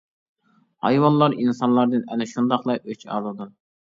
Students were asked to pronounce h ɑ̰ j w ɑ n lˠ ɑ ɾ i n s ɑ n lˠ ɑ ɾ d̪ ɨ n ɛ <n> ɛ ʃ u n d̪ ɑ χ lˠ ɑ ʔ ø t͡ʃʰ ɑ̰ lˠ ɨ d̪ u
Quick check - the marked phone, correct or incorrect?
correct